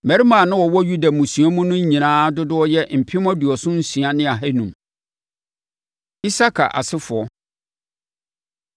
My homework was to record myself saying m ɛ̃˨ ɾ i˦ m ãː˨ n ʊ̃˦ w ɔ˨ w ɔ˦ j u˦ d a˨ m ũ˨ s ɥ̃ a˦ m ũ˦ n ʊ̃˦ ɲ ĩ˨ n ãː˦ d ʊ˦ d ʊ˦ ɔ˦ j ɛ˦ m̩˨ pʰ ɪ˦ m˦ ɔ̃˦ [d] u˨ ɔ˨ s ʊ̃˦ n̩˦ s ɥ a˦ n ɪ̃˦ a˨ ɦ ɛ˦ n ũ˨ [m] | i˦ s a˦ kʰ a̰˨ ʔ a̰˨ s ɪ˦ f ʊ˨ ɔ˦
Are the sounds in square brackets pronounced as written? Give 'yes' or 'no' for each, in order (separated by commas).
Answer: yes, yes